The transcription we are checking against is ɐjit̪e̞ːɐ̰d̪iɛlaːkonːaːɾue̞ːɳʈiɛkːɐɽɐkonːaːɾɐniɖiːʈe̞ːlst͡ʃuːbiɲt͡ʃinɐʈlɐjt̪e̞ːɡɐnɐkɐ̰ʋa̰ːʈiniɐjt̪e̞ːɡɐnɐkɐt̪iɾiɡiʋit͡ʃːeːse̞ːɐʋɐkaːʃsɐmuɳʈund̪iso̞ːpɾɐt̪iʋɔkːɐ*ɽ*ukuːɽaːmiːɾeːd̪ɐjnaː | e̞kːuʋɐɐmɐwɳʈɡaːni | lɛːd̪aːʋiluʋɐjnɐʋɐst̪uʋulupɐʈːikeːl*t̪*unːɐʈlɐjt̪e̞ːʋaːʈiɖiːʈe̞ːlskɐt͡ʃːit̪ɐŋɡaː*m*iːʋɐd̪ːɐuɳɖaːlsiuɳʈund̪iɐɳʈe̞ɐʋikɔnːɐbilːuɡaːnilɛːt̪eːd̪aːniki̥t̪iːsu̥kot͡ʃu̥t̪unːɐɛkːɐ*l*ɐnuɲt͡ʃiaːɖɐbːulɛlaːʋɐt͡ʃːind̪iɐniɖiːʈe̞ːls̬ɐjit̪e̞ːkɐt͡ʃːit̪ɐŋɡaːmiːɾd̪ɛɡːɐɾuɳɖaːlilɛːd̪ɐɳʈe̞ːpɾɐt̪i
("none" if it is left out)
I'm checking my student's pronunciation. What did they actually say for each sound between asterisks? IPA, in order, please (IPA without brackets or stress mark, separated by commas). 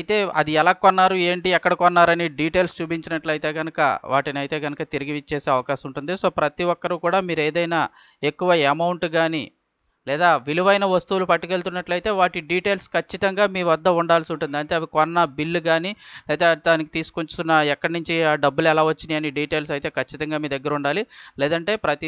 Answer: ɾ, t̪, m, ɽ